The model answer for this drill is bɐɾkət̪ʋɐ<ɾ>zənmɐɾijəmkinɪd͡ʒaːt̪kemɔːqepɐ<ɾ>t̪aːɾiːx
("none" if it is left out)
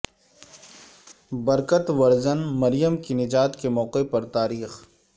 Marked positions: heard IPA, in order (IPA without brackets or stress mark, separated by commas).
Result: ɾ, ɾ